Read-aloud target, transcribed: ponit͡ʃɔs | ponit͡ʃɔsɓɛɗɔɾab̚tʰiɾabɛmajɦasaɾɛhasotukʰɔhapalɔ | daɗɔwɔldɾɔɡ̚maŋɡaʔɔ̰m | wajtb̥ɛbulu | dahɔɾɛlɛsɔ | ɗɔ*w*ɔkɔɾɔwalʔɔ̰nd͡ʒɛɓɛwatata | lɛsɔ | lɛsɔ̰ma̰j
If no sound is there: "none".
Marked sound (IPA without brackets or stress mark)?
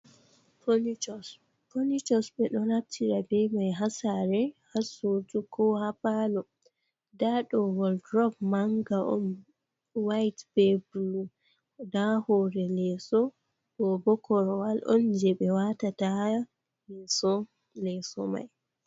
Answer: b